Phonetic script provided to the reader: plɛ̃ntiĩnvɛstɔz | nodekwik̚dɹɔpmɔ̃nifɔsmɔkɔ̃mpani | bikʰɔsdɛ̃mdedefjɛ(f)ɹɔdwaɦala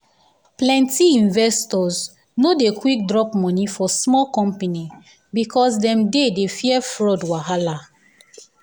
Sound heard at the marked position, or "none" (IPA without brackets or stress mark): f